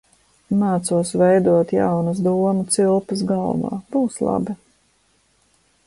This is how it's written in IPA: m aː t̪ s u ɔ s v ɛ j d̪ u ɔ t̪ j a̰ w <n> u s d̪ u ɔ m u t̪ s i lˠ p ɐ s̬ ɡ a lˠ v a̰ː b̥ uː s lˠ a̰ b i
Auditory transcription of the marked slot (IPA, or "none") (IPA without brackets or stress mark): n